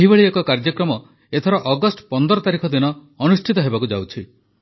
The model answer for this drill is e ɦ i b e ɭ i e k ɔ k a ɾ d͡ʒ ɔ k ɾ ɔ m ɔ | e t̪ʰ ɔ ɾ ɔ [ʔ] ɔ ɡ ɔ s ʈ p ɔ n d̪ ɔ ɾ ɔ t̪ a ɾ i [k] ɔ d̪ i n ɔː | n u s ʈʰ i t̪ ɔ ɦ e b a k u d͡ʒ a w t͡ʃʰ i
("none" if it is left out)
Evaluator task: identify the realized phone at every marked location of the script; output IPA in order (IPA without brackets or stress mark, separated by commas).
ʔ, kʰ